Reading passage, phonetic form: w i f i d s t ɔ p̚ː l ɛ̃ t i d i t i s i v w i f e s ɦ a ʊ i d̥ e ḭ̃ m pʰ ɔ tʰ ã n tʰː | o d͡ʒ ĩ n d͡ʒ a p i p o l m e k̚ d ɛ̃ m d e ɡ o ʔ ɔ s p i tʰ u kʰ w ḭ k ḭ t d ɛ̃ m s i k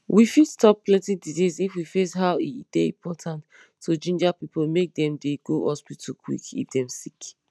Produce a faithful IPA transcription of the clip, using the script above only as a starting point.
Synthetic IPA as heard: w i f i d s t ɔ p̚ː l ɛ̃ t i d i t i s i f w i f e s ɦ a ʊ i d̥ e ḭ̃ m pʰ ɔ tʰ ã n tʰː | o d͡ʒ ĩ n d͡ʒ a p i p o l m e k̚ d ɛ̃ m d e ɡ o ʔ ɔ s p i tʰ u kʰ w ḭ k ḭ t d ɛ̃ m s i k